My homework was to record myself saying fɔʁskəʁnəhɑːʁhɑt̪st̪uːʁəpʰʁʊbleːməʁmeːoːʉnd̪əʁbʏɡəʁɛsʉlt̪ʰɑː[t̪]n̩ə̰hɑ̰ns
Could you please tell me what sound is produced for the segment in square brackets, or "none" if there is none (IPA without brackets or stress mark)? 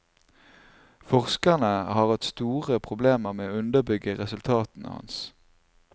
t̪